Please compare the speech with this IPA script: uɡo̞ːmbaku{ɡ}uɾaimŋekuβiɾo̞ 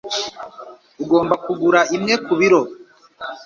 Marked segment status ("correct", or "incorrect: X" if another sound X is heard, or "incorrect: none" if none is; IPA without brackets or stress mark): correct